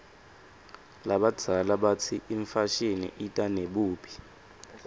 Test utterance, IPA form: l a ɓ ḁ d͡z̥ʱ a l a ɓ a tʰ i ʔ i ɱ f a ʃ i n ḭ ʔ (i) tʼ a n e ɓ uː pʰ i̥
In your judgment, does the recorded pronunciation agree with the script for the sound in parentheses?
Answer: yes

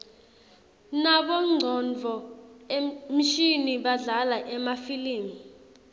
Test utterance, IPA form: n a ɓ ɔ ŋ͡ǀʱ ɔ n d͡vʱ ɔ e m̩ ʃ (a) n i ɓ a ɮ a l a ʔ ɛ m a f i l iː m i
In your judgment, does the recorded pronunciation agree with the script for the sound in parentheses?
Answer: no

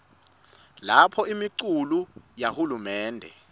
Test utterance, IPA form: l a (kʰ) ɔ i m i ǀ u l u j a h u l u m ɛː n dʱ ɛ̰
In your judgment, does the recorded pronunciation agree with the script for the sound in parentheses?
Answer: no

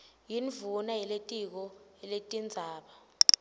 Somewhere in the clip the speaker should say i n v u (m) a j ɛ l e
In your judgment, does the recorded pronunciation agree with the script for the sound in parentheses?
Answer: no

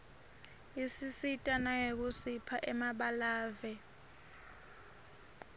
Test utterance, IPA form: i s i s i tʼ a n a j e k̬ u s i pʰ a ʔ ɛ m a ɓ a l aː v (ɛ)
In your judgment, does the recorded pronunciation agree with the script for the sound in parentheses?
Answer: yes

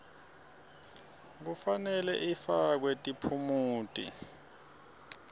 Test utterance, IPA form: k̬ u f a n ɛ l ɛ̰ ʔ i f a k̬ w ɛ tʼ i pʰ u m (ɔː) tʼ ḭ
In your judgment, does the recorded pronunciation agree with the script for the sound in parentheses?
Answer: no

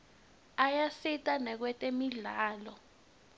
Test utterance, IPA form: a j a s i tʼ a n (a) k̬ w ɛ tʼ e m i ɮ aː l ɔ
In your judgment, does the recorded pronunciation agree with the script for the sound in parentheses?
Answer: no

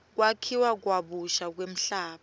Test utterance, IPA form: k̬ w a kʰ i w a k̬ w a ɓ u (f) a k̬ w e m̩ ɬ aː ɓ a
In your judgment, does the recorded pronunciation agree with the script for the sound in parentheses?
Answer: no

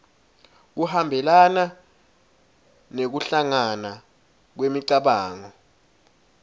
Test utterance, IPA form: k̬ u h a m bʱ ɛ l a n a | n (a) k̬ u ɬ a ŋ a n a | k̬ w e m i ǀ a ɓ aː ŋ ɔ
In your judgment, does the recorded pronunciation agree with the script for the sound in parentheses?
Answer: no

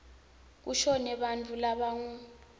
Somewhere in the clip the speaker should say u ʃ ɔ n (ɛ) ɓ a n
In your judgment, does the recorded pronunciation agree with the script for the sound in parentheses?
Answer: yes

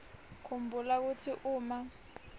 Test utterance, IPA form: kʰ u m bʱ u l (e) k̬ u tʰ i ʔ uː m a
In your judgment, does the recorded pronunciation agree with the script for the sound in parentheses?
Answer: no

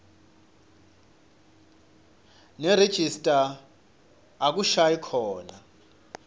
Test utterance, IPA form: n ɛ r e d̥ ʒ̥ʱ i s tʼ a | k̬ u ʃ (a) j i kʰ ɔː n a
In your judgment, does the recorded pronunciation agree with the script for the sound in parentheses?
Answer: yes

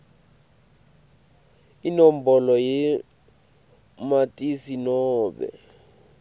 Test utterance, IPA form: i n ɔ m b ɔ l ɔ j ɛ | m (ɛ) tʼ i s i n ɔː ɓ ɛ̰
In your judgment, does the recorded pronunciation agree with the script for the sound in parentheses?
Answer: no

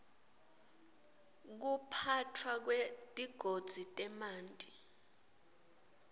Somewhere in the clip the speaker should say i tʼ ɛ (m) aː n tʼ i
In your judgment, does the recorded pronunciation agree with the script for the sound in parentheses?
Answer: yes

